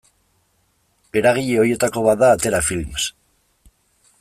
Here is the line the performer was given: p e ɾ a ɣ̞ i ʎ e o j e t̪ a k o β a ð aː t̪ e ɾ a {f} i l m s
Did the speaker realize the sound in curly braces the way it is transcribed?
yes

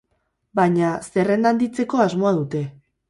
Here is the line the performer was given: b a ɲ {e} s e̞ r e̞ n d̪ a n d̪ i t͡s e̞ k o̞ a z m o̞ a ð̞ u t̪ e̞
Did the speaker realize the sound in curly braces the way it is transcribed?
no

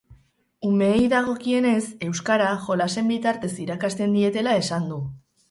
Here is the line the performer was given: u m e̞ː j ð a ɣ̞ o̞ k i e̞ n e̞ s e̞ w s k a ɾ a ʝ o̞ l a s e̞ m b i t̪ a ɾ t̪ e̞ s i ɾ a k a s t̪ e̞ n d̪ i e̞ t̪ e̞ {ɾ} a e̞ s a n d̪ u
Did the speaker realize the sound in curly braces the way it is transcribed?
no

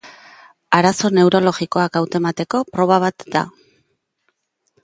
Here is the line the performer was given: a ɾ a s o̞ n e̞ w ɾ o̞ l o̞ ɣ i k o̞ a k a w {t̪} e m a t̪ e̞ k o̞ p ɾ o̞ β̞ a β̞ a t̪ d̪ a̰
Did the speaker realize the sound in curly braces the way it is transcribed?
yes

